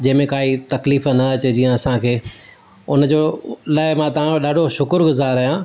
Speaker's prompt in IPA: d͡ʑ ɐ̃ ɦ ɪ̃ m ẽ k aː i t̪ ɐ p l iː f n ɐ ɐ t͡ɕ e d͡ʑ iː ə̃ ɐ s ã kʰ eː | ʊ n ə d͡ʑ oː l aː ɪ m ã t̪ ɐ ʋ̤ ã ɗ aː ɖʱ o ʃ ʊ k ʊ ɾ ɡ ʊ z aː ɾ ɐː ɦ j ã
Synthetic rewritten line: d͡ʑ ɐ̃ ɦ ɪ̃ m ẽ k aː i t̪ ɐ k l iː f n ɐ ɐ t͡ɕ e d͡ʑ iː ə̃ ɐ s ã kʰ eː | ʊ n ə d͡ʑ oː l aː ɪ m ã t̪ ɐ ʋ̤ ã ɗ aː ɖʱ o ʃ ʊ k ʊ ɾ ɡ ʊ z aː ɾ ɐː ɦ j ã